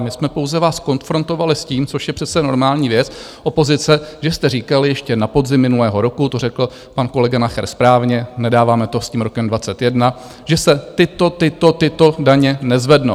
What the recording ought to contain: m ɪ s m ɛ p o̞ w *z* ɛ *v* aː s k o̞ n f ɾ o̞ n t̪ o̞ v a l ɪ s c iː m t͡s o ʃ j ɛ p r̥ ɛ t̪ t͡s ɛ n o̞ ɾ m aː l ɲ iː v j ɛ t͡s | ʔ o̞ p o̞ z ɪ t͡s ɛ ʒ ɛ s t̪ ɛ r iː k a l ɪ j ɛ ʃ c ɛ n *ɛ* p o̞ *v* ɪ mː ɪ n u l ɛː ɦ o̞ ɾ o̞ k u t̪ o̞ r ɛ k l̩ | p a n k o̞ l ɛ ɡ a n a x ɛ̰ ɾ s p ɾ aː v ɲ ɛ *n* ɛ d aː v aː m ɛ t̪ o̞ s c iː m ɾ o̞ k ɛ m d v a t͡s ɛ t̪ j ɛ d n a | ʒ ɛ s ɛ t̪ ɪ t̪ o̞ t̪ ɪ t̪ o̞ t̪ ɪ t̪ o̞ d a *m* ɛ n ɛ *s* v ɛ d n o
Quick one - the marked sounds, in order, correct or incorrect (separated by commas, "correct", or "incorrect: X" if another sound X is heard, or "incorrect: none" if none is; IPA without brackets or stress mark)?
correct, correct, incorrect: a, incorrect: z, correct, incorrect: ɲ, incorrect: z